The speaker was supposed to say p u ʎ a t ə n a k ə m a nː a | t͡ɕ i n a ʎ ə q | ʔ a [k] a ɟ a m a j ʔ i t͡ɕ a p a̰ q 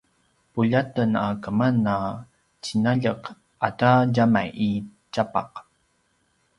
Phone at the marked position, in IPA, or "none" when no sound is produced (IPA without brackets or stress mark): t